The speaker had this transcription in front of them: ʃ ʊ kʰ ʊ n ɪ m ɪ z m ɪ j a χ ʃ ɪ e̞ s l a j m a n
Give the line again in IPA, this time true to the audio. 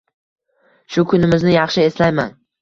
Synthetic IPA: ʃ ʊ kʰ ʊ n ɪ m ɪ z n ɪ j ɑ χ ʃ ɪ e̞ s l a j m a n